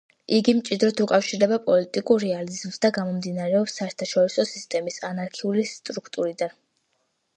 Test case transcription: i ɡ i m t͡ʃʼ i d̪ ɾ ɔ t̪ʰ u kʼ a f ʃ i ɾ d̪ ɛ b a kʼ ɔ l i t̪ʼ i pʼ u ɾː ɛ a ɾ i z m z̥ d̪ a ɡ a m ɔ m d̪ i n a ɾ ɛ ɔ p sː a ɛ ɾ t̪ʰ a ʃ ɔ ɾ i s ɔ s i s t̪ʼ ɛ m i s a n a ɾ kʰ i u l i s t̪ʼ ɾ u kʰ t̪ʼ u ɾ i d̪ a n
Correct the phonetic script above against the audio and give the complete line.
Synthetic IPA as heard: i ɡ i m t͡ʃʼ i d̪ ɾ ɔ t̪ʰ u kʼ a f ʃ i ɾ d̪ ɛ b a pʼ ɔ l i t̪ʼ i kʼ u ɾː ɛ a l i z m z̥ d̪ a ɡ a m ɔ m d̪ i n a ɾ ɛ ɔ p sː a ɛ ɾ t̪ʰ a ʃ ɔ ɾ i s ɔ s i s t̪ʼ ɛ m i s a n a ɾ kʰ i u l i s t̪ʼ ɾ u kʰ t̪ʼ u ɾ i d̪ a n